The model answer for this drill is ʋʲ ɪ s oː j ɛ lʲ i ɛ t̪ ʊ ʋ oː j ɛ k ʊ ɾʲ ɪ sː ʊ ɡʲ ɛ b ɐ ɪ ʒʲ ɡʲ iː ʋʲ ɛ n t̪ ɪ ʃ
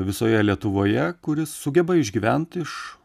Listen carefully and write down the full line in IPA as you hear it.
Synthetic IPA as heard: ʋʲ ɪ s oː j ɛ lʲ i ɛ t̪ ʊ ʋ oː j ɛ k ʊ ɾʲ ɪ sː ʊ ɡʲ ɛ b ɐ ɪ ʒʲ ɡʲ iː ʋʲ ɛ n t̪ ɪ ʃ

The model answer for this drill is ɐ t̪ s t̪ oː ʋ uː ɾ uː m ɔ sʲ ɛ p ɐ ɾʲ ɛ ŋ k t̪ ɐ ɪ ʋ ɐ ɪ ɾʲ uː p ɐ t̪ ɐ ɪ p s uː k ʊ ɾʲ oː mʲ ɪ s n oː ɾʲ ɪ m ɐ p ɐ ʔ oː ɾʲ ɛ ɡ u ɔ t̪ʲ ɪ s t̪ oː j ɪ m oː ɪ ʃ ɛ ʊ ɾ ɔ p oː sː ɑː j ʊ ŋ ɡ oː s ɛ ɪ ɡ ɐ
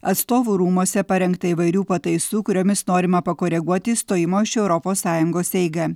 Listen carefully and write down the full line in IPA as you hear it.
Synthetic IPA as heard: ɐ t̪ s t̪ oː ʋ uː ɾ uː m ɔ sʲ ɛ p ɐ ɾʲ ɛ ŋ k t̪ ɐ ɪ ʋ ɐ ɪ ɾʲ uː p ɐ t̪ ɐ ɪ s uː k ʊ ɾʲ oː mʲ ɪ s n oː ɾʲ ɪ m ɐ p ɐ k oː ɾʲ ɛ ɡ u ɔ t̪ʲ ɪ s t̪ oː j ɪ m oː ɪ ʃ ɛ ʊ ɾ ɔ p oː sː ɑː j ʊ ŋ ɡ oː s ɛ ɪ ɡ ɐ

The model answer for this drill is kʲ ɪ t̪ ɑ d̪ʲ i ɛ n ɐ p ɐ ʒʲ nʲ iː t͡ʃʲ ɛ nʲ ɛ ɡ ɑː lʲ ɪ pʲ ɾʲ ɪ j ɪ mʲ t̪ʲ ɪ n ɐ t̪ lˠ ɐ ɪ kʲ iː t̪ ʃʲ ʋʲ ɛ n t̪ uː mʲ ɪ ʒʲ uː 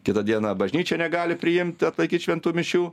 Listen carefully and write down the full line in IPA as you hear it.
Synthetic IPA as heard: kʲ ɪ t̪ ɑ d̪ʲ i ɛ n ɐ b ɐ ʒʲ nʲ iː t͡ʃʲ ɛ nʲ ɛ ɡ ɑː lʲ ɪ pʲ ɾʲ ɪ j ɪ mʲ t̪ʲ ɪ ɐ t̪ lˠ ɐ ɪ kʲ iː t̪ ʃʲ ʋʲ ɛ n t̪ uː mʲ ɪ ʃʲ uː

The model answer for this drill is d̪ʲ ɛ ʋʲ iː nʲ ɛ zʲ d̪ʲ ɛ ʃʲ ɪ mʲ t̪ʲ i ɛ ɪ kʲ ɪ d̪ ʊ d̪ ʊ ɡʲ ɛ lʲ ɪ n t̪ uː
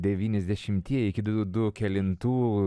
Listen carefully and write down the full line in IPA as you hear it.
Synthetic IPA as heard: d̪ʲ ɛ ʋʲ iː nʲ ɛ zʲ d̪ʲ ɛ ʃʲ ɪ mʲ t̪ʲ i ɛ ɪ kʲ ɪ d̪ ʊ d̪ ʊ kʲ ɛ lʲ ɪ n t̪ uː

